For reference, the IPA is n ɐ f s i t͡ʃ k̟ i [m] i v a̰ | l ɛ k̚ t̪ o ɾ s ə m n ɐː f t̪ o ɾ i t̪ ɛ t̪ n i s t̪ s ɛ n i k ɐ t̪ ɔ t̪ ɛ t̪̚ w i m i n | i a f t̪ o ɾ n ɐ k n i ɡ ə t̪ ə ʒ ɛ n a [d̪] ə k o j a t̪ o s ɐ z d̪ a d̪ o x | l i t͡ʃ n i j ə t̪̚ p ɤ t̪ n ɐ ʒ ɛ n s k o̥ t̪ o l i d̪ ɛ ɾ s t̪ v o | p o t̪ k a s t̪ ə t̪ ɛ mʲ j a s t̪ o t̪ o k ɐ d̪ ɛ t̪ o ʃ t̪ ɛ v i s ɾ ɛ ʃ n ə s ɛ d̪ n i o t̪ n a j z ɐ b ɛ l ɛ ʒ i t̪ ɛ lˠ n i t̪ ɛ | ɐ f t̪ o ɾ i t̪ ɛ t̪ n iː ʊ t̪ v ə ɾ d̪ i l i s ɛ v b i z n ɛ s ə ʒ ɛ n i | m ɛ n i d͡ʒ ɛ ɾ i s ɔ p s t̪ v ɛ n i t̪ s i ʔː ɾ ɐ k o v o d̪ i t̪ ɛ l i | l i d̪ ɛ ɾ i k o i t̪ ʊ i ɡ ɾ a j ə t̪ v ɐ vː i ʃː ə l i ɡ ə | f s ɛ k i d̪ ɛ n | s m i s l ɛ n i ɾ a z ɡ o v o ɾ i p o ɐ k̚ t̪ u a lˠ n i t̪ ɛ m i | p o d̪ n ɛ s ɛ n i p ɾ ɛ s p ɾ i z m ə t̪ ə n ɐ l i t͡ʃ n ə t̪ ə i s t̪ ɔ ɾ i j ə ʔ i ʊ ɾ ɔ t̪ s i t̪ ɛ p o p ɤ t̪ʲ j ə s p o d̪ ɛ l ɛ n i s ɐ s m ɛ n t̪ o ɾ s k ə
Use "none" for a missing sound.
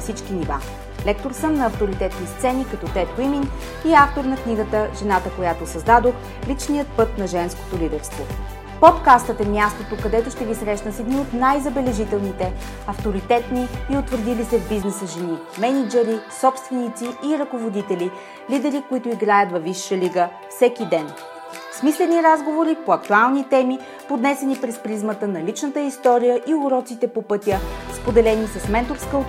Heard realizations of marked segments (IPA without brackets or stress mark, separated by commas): n, t̪